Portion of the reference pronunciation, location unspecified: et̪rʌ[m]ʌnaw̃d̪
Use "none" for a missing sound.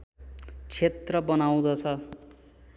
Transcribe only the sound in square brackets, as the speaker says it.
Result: b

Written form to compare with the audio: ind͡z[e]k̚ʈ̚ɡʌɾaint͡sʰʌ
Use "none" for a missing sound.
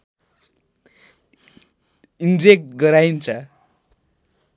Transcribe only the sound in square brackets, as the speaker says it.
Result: e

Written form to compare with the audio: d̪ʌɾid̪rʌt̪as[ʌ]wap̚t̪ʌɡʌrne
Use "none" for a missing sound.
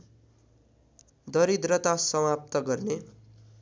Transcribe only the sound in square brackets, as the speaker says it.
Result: ʌ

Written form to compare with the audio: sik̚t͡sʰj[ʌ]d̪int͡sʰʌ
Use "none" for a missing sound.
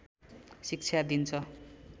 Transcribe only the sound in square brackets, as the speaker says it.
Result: a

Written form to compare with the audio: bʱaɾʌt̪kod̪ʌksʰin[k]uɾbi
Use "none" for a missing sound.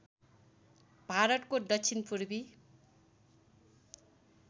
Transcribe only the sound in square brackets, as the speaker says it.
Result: p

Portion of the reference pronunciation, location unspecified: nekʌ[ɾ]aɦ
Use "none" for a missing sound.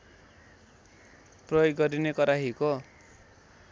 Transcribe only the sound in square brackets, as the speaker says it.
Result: ɾ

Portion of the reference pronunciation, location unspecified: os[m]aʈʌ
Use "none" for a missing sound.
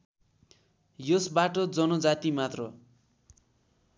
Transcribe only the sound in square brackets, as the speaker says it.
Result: b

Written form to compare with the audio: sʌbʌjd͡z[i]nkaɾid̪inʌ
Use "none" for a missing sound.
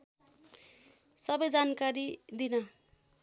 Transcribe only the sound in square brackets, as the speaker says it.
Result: a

